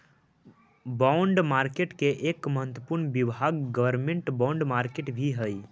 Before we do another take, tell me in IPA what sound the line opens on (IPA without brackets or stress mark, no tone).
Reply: b